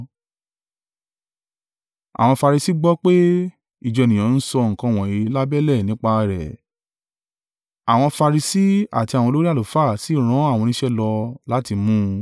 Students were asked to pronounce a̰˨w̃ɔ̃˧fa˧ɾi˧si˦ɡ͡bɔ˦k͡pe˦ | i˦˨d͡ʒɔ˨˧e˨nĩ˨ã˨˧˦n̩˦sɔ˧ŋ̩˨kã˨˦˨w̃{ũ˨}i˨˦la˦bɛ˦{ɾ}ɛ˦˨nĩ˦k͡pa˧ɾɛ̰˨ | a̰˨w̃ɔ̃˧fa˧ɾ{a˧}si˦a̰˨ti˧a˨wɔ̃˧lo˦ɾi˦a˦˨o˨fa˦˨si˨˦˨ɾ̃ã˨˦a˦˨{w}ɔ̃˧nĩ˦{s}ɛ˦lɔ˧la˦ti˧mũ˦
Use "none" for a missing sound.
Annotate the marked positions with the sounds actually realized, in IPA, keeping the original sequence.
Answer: ɔ̃˨, l, i˧, w, ʃ

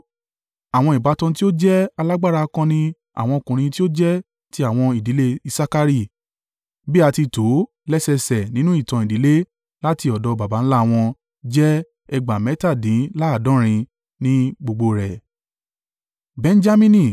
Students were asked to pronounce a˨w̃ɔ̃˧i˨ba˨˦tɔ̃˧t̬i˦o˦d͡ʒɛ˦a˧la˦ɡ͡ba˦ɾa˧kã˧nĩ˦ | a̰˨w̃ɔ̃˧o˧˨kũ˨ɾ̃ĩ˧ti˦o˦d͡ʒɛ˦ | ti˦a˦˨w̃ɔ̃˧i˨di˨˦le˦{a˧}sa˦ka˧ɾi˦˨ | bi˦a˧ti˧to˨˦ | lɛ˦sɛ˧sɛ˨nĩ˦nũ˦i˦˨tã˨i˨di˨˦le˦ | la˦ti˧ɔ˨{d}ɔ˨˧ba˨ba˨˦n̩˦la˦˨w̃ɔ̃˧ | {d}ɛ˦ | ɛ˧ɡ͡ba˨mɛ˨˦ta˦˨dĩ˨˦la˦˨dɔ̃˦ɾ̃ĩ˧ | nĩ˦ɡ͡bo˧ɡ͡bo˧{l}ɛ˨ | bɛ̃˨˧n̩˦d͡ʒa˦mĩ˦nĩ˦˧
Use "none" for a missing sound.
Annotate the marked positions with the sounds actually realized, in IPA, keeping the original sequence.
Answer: i˧, d, d͡ʒ, ɾ

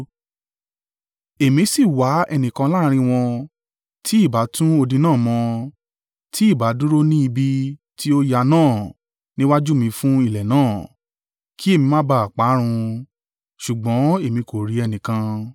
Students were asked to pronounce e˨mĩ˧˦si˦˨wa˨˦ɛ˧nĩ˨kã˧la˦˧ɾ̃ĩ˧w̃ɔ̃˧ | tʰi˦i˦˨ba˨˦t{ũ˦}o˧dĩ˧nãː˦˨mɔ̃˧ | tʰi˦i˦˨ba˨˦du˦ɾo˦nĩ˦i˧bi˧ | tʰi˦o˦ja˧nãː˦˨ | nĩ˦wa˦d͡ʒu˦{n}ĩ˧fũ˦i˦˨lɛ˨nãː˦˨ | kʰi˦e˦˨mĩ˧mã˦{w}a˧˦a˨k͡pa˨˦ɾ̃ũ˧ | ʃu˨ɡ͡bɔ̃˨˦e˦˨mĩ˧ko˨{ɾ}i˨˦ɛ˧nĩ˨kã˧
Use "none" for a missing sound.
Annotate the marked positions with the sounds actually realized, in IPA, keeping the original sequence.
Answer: ũ˦, m, b, ɾ

